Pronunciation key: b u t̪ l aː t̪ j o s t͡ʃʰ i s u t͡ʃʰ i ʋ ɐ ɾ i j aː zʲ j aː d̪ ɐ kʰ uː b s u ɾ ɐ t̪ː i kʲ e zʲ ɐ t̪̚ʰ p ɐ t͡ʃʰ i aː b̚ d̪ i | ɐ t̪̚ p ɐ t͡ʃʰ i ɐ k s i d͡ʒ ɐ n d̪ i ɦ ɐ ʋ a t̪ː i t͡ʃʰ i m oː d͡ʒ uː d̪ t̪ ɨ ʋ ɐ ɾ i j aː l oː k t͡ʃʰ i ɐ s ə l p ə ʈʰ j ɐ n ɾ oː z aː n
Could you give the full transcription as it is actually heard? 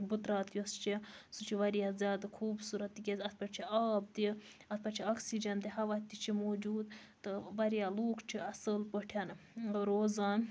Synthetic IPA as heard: b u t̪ ɾ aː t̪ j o s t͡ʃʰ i s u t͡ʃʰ i ʋ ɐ ɾ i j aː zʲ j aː d̪ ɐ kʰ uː b s u ɾ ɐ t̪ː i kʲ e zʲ ɐ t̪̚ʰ p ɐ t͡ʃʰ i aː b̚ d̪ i | ɐ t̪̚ p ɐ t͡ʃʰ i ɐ k s i d͡ʒ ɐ n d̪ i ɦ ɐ ʋ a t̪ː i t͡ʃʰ i m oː d͡ʒ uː d̪ t̪ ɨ ʋ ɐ ɾ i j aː l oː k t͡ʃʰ i ɐ s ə l p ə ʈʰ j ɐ n ɾ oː z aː n

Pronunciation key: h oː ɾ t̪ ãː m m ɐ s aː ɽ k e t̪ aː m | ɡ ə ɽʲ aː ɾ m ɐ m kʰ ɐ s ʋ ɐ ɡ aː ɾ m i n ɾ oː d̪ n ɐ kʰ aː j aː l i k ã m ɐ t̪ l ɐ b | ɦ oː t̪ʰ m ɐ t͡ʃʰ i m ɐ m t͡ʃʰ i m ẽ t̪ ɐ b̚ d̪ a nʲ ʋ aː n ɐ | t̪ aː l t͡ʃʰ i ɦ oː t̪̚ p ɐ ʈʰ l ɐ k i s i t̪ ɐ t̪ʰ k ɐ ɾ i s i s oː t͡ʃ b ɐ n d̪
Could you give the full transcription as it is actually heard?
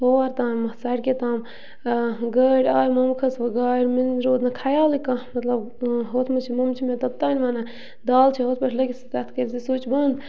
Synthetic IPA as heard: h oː ɾ t̪ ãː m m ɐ s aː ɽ k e t̪ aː m | ɡ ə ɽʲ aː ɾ m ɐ m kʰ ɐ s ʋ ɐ ɡ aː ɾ m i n ɾ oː d̪ n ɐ kʰ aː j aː l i k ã m ɐ t̪ l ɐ b | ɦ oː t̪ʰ m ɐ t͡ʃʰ i m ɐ m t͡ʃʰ i m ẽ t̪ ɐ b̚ t̪ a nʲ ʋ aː n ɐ | d̪ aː l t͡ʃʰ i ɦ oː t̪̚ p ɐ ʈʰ l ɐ k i s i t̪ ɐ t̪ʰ k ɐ ɾ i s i s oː t͡ʃ b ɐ n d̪

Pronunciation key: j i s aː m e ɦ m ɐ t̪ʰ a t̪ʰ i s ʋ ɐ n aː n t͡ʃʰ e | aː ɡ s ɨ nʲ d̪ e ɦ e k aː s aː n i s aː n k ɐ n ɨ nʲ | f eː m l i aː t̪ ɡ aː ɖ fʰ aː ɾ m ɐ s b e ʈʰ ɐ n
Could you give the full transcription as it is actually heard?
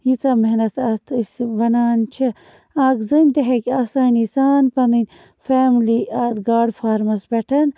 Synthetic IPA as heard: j i t͡s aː m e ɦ n ɐ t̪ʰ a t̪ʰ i s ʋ ɐ n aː n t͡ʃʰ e | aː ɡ z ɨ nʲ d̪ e ɦ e k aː s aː n i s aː n p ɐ n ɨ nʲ | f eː m l i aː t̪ ɡ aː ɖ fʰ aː ɾ m ɐ s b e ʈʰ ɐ n

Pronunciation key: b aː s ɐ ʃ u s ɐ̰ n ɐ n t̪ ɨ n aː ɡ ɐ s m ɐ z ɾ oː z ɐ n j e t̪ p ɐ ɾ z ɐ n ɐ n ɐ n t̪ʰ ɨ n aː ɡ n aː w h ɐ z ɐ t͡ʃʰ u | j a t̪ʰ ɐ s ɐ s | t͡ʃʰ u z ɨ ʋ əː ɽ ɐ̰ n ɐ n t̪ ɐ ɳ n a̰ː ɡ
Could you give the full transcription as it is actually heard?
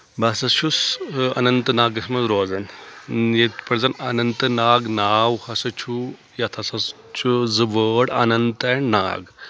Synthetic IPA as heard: b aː s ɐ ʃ u s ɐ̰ n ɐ n t̪ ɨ n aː ɡ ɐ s m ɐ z ɾ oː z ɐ n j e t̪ p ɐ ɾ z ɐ n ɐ n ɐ n t̪ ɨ n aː ɡ n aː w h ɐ s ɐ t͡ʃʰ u | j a t̪ʰ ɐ s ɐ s | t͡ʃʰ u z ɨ ʋ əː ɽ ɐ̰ n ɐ n t̪ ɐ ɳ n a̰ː ɡ

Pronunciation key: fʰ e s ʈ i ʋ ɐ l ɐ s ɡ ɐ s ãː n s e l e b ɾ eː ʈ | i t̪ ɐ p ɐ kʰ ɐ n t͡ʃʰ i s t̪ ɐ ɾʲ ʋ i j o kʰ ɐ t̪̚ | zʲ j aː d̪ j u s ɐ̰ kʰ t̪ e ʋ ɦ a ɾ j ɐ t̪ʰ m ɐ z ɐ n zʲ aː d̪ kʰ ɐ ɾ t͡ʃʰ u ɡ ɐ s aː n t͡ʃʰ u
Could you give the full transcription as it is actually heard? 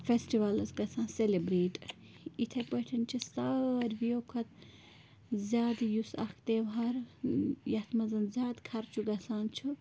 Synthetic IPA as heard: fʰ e s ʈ i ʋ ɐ l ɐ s ɡ ɐ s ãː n s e l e b ɾ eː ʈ | i t̪ʰ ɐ p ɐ ʈʰ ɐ n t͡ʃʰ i s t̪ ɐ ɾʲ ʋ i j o kʰ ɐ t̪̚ | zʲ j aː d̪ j u s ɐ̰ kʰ t̪ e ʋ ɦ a ɾ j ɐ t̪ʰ m ɐ z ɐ n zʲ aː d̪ kʰ ɐ ɾ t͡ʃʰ u ɡ ɐ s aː n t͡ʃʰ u

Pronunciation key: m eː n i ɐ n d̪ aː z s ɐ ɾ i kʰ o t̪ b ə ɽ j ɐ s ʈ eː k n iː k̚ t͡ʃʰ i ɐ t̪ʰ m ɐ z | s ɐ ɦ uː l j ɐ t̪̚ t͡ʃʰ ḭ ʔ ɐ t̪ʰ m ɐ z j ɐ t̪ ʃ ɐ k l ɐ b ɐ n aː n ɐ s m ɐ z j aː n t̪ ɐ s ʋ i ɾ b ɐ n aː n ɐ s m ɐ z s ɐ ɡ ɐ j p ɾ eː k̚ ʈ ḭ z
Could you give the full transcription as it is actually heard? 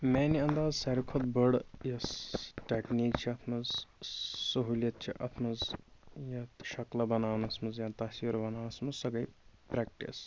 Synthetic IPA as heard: m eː n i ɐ n d̪ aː z s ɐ ɾ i kʰ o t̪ b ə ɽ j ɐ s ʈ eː k n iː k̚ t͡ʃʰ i ɐ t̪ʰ m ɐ z | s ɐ ɦ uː l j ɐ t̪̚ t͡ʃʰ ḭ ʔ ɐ t̪ʰ m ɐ z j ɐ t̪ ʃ ɐ k l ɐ b ɐ n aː n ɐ s m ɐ z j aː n t̪ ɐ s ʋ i ɾ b ɐ n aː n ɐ s m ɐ z s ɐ ɡ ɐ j p ɾ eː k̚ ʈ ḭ s

